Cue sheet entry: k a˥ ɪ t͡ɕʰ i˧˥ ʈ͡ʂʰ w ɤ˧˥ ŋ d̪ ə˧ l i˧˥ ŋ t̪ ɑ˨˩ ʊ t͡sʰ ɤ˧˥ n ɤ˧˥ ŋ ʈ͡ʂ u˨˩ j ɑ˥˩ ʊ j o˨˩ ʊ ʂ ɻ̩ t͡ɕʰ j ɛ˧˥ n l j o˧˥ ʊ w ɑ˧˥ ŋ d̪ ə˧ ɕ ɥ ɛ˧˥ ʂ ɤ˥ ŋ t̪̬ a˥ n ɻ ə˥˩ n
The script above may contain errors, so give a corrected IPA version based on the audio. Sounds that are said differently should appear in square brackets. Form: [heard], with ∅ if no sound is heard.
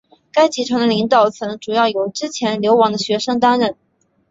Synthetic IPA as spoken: k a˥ ɪ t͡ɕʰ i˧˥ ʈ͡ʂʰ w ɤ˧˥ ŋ d̪ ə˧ l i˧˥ ŋ t̪ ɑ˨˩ ʊ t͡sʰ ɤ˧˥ n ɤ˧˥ ŋ ʈ͡ʂ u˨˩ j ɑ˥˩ ʊ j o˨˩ ʊ [ʈ͡ʂ] ɻ̩ t͡ɕʰ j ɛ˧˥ n l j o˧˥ ʊ w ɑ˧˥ ŋ d̪ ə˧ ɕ ɥ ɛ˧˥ ʂ ɤ˥ ŋ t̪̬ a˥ n ɻ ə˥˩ n

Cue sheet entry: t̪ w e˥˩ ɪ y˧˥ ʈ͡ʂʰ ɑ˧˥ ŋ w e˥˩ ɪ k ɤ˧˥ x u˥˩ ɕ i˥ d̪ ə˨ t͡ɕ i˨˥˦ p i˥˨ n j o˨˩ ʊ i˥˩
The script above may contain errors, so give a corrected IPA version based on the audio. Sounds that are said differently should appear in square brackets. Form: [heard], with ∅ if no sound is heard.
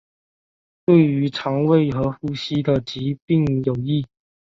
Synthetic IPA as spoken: t̪ w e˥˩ ɪ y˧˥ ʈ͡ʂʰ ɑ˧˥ ŋ w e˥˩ ɪ [x] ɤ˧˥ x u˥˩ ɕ i˥ d̪ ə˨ t͡ɕ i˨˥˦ p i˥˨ [ŋ] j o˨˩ ʊ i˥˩

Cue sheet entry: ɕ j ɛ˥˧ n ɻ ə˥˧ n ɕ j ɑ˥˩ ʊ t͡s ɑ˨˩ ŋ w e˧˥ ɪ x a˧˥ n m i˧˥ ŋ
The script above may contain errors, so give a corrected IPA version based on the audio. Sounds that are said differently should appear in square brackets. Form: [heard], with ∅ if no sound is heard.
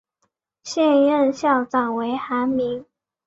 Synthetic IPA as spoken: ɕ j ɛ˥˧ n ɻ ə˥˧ n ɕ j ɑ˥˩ ʊ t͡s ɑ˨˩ ŋ w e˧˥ ɪ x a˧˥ n m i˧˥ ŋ

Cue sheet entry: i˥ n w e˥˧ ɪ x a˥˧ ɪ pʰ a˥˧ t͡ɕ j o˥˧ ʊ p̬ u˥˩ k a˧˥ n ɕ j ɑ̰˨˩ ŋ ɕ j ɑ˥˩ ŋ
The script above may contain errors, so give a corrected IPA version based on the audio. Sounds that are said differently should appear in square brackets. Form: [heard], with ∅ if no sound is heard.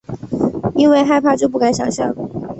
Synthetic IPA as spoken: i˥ n w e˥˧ ɪ x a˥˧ ɪ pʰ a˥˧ t͡ɕ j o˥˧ ʊ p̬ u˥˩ k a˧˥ n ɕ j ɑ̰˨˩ ŋ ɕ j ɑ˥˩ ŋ

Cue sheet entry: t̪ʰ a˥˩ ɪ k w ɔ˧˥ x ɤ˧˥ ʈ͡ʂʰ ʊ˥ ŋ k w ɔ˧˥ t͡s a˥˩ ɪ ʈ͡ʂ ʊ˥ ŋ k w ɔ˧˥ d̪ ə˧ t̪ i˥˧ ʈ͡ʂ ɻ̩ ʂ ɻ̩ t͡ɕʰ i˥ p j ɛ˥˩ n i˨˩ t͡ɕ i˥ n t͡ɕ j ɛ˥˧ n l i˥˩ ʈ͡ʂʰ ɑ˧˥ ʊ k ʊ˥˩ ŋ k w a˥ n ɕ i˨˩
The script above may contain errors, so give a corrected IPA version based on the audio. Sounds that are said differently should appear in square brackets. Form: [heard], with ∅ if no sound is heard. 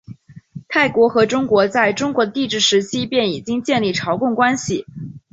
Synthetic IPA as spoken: t̪ʰ a˥˩ ɪ k w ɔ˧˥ x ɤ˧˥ [ʈ͡ʂ] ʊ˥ ŋ k w ɔ˧˥ t͡s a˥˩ ɪ ʈ͡ʂ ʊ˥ ŋ k w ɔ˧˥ d̪ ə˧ t̪ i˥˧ ʈ͡ʂ ɻ̩ ʂ ɻ̩ t͡ɕʰ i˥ p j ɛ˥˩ n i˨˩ t͡ɕ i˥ [ŋ] t͡ɕ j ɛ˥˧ n l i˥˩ ʈ͡ʂʰ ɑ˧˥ ʊ k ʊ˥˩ ŋ k w a˥ n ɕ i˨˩

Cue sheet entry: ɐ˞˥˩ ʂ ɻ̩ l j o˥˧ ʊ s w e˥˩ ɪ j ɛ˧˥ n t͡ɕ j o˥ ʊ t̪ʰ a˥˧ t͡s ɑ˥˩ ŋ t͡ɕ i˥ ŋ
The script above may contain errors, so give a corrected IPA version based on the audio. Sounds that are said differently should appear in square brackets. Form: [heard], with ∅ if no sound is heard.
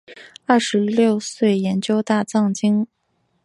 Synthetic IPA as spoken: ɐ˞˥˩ ʂ ɻ̩ l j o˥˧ ʊ s w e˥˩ ɪ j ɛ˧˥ n t͡ɕ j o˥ ʊ [t̪] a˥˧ t͡s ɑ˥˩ ŋ t͡ɕ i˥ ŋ

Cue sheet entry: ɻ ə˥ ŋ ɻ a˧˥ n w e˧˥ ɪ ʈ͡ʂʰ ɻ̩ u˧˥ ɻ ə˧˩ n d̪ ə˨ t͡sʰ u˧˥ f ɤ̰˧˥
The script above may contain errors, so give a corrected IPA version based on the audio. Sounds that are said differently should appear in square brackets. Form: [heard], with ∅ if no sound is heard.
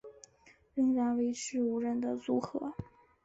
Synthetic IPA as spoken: ɻ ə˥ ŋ ɻ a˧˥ n w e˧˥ ɪ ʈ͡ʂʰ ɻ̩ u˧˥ ɻ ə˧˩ n d̪ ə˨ [t͡s] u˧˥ [x] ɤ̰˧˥

